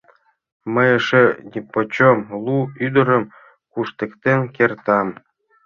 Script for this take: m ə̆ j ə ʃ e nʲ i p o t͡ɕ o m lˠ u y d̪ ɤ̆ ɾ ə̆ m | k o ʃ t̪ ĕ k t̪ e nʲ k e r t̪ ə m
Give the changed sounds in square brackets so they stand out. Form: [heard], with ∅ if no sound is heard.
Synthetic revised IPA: m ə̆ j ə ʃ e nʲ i p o t͡ɕ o m lˠ u y d̪ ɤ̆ ɾ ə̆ m | k [u] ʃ t̪ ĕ k t̪ e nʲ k e r t̪ [ɑ] m